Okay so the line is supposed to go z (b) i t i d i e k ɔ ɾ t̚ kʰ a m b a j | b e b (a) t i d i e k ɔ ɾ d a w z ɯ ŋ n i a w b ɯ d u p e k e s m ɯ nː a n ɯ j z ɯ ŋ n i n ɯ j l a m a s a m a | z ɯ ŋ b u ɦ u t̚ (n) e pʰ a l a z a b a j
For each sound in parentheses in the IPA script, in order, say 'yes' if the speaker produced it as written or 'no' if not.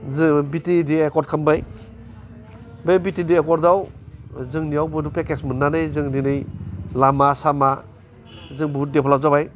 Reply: yes, no, no

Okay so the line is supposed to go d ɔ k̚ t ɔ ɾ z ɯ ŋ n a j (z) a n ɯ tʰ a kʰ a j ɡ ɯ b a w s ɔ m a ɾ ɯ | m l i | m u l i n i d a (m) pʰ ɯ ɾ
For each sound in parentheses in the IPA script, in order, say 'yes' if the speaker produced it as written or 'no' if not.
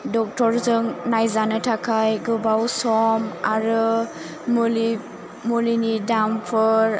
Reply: yes, yes

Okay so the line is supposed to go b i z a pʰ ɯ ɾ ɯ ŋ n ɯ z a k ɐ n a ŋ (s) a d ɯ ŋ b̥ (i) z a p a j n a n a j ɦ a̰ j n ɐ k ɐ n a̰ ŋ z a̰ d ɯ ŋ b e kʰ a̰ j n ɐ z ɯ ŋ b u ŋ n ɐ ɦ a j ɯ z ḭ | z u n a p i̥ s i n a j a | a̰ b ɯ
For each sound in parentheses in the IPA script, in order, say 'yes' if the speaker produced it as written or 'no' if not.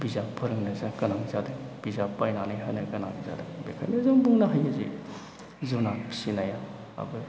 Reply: no, yes

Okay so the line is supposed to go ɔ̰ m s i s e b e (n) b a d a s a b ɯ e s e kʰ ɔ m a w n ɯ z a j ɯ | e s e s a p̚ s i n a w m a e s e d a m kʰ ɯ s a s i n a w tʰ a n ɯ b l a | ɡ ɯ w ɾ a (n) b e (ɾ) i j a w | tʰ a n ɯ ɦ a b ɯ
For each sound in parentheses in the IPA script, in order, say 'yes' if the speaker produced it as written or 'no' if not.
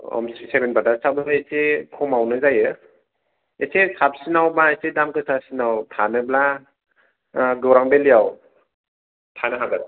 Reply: yes, no, no

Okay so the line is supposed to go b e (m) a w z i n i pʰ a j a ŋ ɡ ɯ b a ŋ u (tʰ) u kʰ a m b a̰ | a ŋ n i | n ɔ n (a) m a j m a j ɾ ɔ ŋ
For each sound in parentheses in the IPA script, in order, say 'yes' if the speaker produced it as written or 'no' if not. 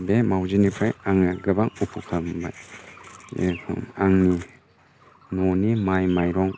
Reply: yes, no, no

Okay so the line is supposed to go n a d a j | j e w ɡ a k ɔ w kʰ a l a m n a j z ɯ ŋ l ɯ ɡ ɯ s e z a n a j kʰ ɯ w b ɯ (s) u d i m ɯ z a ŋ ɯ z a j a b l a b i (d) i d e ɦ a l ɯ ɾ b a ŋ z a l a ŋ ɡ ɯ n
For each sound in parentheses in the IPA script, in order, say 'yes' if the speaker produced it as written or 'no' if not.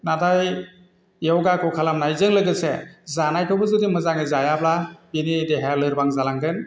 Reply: no, no

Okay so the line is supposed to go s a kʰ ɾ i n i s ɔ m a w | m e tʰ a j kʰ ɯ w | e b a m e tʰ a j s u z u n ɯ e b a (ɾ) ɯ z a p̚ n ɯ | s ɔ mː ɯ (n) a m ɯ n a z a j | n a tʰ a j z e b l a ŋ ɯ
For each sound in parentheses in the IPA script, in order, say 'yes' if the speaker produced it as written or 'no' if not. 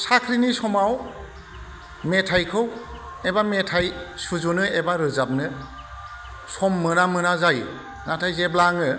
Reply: yes, yes

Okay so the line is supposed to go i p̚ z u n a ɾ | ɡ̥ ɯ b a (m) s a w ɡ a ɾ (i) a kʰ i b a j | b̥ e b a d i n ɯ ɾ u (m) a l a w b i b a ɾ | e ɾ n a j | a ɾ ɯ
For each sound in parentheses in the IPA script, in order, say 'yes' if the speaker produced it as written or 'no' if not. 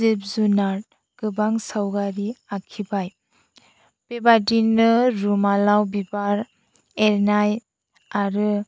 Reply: no, yes, yes

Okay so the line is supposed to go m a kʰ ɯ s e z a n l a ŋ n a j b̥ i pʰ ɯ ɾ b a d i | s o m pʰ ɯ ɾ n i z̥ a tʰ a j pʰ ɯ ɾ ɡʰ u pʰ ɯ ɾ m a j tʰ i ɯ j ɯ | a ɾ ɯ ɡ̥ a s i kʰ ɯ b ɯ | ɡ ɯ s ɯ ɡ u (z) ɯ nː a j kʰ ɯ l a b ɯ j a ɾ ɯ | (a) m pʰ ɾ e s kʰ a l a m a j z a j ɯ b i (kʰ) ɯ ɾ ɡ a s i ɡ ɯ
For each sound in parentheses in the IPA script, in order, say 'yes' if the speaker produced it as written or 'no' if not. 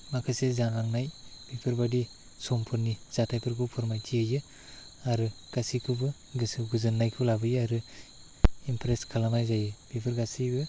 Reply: yes, no, no

